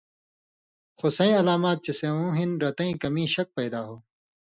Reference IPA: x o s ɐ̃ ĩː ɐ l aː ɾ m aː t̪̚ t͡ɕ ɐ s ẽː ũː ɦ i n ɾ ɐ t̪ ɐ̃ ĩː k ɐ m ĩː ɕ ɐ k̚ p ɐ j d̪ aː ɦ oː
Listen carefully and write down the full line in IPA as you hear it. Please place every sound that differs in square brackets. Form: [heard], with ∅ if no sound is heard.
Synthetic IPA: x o s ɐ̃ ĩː ɐ l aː [∅] m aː t̪̚ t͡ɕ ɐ s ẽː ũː ɦ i n ɾ ɐ t̪ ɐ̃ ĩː k ɐ m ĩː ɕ ɐ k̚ p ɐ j d̪ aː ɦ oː